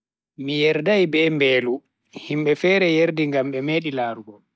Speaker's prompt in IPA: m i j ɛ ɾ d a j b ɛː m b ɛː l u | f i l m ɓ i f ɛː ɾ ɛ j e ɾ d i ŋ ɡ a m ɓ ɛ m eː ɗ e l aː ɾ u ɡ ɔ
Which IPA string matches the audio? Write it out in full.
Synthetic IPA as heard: m i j ɛ ɾ d a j b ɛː m b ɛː l u | h i m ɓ ɛ f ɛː ɾ ɛ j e ɾ d i ŋ ɡ a m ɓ ɛ m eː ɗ i l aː ɾ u ɡ ɔ